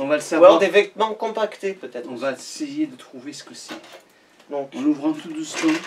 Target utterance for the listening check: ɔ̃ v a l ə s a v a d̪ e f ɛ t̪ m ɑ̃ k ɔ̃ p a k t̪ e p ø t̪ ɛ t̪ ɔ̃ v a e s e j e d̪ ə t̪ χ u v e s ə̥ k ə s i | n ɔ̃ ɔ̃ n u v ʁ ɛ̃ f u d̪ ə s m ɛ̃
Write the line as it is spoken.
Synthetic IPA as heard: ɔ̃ v a l ə s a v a d̪ e v ɛ t̪ m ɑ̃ k ɔ̃ p a k t̪ e p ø t̪ ɛ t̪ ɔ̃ v a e s e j e d̪ ə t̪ χ u v e s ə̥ k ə s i | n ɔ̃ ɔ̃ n u v ʁ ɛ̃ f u d̪ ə s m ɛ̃

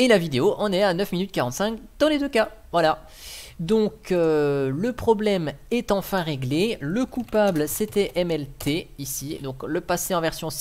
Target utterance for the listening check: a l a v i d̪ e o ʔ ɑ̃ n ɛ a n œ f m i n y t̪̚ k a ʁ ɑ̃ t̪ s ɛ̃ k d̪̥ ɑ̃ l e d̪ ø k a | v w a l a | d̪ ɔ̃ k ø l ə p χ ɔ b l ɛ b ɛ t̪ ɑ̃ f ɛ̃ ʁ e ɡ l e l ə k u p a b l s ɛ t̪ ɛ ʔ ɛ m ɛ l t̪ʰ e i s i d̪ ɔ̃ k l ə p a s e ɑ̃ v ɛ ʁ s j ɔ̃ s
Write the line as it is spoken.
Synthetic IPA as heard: e l a v i d̪ e o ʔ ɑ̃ n ɛ a n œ f m i n y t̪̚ k a ʁ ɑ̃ t̪ s ɛ̃ k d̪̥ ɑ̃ l e d̪ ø k a | v w a l a | d̪ ɔ̃ k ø l ə p χ ɔ b l ɛ m ɛ t̪ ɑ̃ f ɛ̃ ʁ e ɡ l e l ə k u p a b l s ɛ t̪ ɛ ʔ ɛ m ɛ l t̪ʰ e i s i d̪ ɔ̃ k l ə p a s e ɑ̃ v ɛ ʁ s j ɔ̃ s

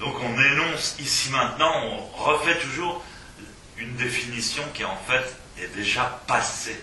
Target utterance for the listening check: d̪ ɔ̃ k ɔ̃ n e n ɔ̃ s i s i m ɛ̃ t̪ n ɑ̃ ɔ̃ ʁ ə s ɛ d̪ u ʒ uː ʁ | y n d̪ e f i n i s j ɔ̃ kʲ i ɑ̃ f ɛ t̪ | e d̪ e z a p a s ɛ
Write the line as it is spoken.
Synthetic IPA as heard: d̪ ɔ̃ k ɔ̃ n e n ɔ̃ s i s i m ɛ̃ t̪ n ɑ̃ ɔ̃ ʁ ə f ɛ t̪ u ʒ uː ʁ | y n d̪ e f i n i s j ɔ̃ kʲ i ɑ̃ f ɛ t̪ | ɛ d̪ e ʒ a p a s e

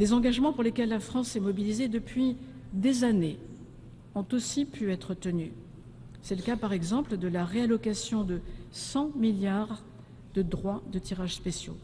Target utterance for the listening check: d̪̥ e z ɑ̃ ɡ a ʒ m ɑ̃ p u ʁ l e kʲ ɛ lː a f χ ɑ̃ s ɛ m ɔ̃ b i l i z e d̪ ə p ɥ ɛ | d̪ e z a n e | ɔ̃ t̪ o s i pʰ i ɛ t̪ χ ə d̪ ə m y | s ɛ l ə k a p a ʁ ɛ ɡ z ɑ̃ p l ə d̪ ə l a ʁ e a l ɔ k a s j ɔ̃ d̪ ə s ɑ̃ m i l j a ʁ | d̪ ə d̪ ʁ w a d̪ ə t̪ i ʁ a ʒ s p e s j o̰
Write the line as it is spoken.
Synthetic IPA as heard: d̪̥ e z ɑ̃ ɡ a ʒ m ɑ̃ p u ʁ l e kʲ ɛ lː a f χ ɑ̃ s ɛ m ɔ b i l i z e d̪ ə p ɥ i | d̪ e z a n e | ɔ̃ t̪ o s i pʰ y ɛ t̪ χ ə t̪ ə n y | s ɛ l ə k a p a ʁ ɛ ɡ z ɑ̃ p l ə d̪ ə l a ʁ e a l ɔ k a s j ɔ̃ d̪ ə s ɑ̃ m i l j a ʁ | d̪ ə d̪ ʁ w a d̪ ə t̪ i ʁ a ʒ s p e s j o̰

